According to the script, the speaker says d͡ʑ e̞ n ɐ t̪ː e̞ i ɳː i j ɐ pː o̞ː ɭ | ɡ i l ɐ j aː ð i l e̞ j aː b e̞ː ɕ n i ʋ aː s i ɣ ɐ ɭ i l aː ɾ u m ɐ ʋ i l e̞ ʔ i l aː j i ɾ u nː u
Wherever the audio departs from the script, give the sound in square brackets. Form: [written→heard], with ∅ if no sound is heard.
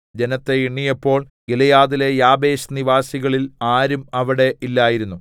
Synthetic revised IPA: d͡ʑ e̞ n ɐ t̪ː e̞ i ɳː i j ɐ pː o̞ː ɭ | ɡ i l ɐ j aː ð i l e̞ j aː b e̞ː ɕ n i ʋ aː s i ɣ ɐ ɭ i l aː ɾ u m ɐ ʋ i [l→ɽ] e̞ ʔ i [l→lː] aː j i ɾ u nː u